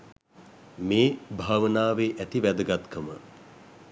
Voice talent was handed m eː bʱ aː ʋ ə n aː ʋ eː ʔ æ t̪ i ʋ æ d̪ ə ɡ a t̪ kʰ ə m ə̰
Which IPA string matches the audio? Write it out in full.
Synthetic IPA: m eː bʱ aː ʋ ə n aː ʋ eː ʔ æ t̪ i ʋ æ d̪ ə ɡ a t̪ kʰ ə m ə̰